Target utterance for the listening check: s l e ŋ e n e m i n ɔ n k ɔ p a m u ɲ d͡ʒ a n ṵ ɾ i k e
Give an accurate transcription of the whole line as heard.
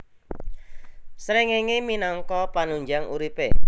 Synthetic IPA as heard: s ɾ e ŋ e ŋ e m i n ɔ ŋ k ɔ p a n u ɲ d͡ʒ a ŋ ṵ ɾ i p e